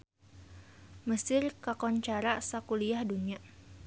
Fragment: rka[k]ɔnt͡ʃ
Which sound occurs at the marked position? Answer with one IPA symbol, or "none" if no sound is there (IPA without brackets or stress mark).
k